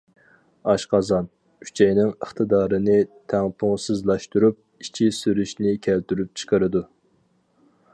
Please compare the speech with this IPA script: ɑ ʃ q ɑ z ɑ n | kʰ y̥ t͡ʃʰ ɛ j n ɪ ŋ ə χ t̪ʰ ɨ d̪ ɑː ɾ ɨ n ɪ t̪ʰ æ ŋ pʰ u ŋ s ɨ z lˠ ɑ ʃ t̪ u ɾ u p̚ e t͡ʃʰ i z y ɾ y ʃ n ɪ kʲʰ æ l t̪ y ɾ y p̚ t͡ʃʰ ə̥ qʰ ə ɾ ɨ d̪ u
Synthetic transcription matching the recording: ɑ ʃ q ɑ z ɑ n | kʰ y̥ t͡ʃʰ ɛ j n ɪ ŋ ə χ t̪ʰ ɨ d̪ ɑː ɾ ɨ n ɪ t̪ʰ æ ŋ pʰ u ŋ s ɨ z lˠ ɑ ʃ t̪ u ɾ u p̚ i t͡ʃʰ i s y ɾ y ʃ n ɪ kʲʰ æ l t̪ y ɾ y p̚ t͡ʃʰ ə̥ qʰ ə ɾ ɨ d̪ u